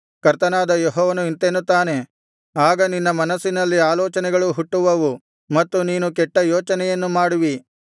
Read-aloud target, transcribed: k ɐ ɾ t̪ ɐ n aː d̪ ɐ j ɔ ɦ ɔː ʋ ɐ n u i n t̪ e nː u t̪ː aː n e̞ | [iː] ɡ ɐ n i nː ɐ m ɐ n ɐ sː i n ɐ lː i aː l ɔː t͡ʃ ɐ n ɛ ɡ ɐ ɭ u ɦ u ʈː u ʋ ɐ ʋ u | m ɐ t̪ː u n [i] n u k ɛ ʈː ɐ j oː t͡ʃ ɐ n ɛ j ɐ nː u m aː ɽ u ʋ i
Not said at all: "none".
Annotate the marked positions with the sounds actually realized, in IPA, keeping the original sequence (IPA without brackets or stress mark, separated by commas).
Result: aː, iː